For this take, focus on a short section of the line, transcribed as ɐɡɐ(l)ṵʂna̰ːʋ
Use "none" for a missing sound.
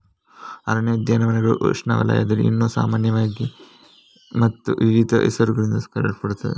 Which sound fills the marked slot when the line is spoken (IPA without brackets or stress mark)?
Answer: ɭ